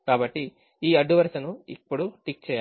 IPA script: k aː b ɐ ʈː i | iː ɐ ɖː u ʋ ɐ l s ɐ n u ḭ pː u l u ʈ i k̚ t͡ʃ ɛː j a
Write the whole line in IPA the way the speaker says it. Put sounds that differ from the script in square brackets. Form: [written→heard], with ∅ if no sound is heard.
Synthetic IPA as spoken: k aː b ɐ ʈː i | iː ɐ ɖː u ʋ ɐ [l→ɾ] s ɐ n u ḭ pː u [l→ɽ] u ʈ i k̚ t͡ʃ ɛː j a